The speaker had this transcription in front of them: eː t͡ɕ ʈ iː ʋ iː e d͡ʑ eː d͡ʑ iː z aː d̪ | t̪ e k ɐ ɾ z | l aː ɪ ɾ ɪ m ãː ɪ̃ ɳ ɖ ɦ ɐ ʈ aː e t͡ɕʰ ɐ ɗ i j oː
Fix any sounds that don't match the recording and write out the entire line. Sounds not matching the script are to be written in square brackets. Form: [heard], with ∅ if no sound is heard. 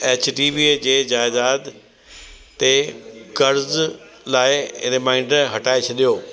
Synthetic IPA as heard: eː t͡ɕ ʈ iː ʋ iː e d͡ʑ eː d͡ʑ [aː] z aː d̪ | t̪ e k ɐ ɾ z | l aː ɪ ɾ ɪ m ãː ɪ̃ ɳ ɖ ɦ ɐ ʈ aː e t͡ɕʰ ɐ ɗ i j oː